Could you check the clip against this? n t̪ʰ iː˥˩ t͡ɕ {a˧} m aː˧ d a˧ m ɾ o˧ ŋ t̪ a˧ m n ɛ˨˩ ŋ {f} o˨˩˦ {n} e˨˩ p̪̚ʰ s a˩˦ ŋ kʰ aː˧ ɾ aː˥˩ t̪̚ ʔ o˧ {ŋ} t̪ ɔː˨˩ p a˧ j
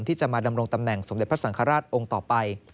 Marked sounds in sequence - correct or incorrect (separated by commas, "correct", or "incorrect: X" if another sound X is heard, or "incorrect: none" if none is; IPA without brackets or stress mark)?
incorrect: a˨˩, incorrect: s, incorrect: d, correct